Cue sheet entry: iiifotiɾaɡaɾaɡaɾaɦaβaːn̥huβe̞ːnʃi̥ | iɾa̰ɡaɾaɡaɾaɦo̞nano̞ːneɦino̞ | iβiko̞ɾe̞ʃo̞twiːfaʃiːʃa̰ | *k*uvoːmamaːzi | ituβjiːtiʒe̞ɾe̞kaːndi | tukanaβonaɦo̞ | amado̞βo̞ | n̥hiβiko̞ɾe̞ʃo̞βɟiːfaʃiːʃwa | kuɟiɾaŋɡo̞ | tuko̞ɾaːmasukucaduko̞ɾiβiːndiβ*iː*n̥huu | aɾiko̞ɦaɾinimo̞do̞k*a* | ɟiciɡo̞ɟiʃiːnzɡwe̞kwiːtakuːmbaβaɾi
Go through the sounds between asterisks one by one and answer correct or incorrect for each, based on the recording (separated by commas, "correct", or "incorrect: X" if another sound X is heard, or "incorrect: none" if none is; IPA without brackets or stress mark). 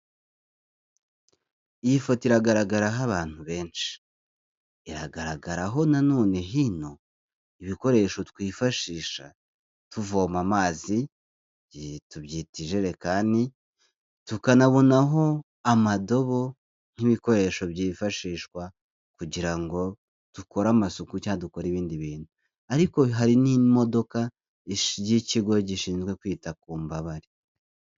incorrect: t, correct, correct